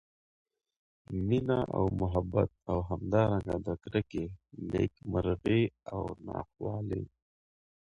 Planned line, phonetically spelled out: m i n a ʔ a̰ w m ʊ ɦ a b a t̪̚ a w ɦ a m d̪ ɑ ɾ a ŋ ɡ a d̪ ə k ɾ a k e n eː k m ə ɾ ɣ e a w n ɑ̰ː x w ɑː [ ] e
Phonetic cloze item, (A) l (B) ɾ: A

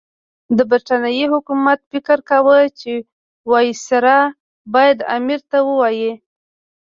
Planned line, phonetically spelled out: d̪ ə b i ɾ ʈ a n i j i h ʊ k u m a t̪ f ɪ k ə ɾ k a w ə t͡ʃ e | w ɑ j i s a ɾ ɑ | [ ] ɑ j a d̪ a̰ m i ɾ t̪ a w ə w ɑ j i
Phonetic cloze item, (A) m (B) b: B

